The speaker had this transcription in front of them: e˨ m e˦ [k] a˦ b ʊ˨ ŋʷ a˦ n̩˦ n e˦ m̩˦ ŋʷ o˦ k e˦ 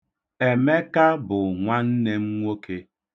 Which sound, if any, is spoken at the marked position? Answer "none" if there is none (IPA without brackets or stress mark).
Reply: k